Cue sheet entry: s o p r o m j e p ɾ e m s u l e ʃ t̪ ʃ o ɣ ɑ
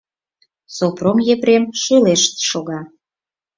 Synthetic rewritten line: s o p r o m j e p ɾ e m ʃ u l e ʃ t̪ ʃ o ɣ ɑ